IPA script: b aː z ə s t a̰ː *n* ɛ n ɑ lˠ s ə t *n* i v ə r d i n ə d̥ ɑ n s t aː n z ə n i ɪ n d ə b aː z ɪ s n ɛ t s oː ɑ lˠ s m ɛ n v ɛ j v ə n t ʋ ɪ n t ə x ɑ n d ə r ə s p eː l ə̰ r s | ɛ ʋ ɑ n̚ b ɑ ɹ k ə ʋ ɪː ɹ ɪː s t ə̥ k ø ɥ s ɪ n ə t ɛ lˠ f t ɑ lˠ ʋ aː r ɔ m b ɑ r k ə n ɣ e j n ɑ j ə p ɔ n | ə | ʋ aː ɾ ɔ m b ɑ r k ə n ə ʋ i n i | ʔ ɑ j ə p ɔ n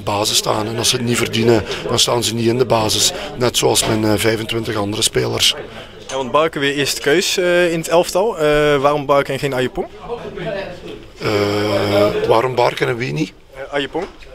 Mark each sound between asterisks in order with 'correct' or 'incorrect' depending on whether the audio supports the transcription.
correct, correct

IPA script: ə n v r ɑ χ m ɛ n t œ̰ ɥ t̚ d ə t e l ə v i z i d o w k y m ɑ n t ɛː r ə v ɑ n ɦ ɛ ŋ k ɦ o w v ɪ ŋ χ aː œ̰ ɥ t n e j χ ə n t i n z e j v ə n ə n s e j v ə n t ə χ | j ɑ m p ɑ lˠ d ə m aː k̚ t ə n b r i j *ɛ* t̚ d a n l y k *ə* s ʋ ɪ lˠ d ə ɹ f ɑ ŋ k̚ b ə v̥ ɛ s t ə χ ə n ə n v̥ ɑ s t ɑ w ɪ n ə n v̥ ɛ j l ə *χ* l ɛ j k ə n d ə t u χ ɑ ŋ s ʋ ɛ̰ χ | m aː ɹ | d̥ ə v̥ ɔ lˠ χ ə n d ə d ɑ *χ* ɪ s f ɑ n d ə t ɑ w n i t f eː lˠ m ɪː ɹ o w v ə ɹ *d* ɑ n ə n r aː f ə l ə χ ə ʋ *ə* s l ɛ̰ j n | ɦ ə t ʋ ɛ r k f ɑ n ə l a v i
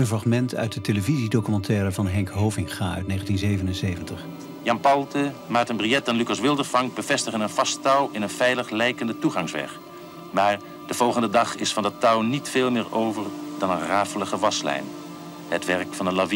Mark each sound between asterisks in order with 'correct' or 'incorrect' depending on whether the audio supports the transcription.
correct, incorrect: ɑ, correct, correct, correct, incorrect: ɑ

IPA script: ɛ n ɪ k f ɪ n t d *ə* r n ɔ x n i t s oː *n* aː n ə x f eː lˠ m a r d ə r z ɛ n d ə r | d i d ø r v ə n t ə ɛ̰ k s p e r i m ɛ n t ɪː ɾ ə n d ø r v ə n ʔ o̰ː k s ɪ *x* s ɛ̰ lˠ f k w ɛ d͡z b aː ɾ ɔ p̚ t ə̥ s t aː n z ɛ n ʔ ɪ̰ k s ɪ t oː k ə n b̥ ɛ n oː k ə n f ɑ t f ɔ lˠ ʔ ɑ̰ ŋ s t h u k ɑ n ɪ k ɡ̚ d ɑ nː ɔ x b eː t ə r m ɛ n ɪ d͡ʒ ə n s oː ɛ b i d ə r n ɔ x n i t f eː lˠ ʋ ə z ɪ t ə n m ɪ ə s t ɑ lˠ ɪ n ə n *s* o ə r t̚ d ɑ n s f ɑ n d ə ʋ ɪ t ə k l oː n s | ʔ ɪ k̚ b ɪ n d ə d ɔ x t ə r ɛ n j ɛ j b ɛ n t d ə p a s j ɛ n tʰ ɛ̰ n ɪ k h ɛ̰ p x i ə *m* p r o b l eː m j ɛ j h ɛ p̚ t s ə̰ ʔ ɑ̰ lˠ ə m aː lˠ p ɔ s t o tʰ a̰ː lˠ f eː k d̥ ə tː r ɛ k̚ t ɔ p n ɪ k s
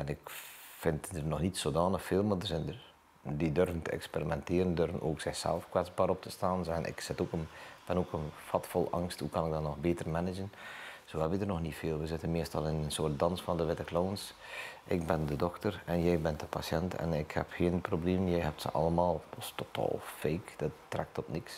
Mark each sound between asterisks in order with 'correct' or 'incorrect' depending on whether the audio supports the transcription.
correct, incorrect: d, correct, correct, incorrect: n

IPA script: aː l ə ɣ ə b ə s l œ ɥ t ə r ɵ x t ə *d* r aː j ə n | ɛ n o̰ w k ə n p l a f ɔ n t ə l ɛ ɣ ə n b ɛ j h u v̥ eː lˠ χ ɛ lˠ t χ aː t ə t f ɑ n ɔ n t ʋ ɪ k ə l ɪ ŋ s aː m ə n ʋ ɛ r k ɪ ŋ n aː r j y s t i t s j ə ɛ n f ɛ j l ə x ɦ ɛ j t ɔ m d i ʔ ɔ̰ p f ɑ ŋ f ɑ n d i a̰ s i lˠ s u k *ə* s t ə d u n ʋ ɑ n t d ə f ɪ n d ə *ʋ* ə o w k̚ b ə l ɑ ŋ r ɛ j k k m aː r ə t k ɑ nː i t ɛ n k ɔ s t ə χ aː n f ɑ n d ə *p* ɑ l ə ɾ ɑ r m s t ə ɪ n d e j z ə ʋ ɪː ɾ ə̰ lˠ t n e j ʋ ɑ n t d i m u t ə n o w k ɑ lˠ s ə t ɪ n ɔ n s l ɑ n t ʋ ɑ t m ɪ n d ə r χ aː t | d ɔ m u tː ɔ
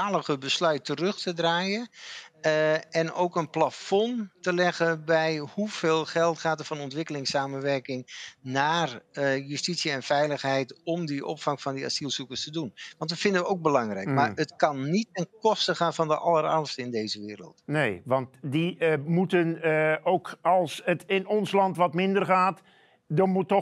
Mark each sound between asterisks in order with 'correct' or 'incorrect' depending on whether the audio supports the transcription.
correct, correct, correct, incorrect: ʔ

